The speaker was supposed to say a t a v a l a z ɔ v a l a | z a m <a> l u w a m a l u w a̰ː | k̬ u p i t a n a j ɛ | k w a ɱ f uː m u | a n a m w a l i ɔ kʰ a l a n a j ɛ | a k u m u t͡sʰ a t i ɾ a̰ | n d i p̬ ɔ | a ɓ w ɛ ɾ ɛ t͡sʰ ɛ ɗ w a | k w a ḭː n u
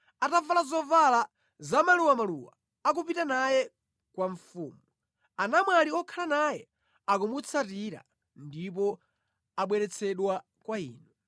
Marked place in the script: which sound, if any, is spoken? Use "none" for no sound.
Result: a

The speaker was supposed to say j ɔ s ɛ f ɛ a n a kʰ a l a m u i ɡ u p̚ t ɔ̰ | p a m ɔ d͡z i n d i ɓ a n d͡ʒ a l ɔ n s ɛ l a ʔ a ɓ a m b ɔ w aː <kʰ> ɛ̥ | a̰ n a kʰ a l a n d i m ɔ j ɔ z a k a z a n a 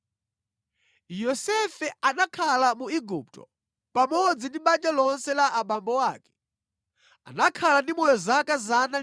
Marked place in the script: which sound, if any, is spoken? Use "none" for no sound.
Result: k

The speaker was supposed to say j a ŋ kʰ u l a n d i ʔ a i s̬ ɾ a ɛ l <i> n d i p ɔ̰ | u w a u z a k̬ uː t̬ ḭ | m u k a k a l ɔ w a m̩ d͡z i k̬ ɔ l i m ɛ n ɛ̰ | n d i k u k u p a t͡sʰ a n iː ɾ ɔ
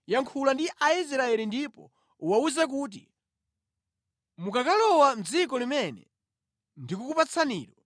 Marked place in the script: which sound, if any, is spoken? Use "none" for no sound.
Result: i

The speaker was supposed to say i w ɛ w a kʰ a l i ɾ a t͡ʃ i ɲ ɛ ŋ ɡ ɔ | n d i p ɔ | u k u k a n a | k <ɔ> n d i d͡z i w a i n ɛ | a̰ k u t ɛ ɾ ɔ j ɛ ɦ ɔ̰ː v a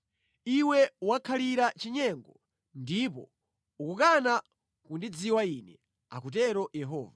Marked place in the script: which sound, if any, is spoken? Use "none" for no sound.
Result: u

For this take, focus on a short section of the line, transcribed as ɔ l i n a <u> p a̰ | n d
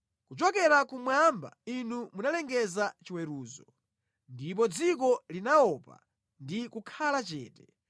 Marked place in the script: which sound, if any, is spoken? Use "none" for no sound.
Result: ɔ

